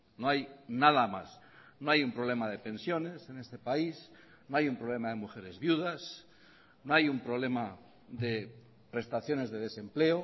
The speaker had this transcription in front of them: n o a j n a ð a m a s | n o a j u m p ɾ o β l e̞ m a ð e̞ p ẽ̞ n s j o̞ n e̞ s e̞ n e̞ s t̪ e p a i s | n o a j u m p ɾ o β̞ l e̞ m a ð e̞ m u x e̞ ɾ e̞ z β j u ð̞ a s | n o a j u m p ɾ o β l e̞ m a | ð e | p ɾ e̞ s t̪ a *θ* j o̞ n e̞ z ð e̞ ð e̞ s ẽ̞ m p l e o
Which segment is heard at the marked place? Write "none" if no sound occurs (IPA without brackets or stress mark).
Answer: θ